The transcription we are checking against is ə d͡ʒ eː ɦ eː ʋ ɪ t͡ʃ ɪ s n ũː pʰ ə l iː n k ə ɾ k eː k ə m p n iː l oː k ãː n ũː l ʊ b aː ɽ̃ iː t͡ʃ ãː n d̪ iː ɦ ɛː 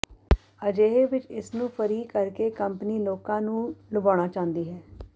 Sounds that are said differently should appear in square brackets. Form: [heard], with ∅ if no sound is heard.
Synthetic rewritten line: ə d͡ʒ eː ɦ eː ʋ ɪ t͡ʃ ɪ s n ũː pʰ ə [ɾ] iː [∅] k ə ɾ k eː k ə m p n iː l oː k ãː n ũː l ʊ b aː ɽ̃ [aː] t͡ʃ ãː n d̪ iː ɦ ɛː